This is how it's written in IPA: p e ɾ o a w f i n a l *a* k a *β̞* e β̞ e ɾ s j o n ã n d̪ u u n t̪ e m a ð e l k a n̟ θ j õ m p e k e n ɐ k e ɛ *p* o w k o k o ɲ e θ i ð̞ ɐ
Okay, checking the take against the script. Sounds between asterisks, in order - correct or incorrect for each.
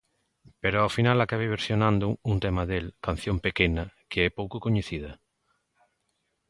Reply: correct, correct, correct

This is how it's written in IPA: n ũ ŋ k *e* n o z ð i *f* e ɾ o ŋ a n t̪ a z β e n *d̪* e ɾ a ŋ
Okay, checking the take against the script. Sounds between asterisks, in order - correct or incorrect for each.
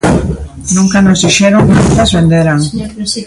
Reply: incorrect: a, incorrect: ʃ, correct

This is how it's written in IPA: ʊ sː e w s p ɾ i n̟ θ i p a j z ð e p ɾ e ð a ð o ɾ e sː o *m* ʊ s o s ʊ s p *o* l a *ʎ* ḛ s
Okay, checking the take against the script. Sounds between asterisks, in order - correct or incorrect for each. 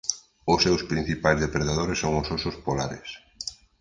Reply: incorrect: ŋ, correct, incorrect: ɾ

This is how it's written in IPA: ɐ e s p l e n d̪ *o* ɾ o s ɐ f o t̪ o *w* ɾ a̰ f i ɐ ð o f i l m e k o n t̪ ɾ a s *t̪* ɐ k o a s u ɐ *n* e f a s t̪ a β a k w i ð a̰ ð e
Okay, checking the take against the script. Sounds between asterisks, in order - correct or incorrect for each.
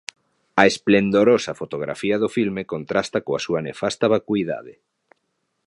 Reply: correct, incorrect: ɣ, correct, correct

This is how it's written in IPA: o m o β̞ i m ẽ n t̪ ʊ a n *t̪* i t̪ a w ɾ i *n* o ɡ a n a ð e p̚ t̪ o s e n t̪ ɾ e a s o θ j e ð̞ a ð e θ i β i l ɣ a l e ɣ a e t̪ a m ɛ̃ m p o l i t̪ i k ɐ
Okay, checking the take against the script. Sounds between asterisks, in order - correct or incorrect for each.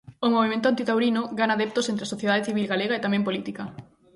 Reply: correct, correct

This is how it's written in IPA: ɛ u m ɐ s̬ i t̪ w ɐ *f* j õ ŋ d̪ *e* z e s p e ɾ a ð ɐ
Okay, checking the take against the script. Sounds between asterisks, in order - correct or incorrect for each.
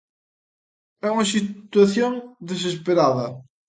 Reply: incorrect: θ, correct

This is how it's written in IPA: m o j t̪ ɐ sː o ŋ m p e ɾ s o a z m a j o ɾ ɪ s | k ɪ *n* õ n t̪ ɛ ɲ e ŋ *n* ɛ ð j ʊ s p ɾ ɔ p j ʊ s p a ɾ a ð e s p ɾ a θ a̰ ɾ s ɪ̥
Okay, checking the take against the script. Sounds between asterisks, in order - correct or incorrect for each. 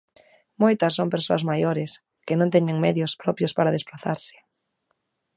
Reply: correct, incorrect: m

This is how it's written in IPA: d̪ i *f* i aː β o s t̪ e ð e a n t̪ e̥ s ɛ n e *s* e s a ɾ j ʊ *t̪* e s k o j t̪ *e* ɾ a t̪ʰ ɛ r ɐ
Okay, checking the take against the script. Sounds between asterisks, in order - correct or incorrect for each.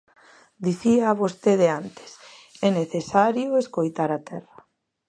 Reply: incorrect: θ, incorrect: θ, incorrect: none, incorrect: a

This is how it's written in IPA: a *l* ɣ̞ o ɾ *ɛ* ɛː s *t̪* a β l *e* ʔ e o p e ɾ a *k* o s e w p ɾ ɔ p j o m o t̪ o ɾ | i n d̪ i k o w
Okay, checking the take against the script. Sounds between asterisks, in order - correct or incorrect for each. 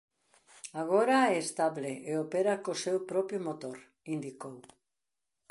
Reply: incorrect: none, incorrect: a, correct, correct, correct

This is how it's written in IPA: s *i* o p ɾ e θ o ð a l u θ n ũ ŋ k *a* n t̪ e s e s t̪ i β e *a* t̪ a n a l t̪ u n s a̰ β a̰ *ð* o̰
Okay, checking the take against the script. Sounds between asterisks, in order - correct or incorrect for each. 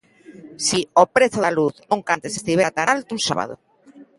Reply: correct, correct, correct, correct

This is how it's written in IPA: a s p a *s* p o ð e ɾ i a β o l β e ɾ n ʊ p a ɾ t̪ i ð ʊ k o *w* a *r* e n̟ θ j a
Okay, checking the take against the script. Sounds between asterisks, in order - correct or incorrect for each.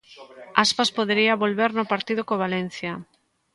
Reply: correct, incorrect: β, incorrect: l

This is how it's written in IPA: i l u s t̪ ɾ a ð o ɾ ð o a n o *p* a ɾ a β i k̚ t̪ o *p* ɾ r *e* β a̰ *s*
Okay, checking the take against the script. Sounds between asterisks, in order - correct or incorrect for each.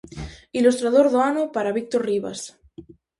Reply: correct, incorrect: none, incorrect: i, correct

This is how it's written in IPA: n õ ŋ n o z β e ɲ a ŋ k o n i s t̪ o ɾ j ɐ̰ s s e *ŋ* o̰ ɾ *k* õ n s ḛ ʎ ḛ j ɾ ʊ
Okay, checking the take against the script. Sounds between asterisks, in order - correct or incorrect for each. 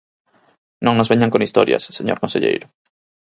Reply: incorrect: ɲ, correct

